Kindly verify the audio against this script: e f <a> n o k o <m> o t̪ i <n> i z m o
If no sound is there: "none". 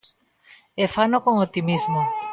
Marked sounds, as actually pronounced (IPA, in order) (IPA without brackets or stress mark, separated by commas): a, ŋ, m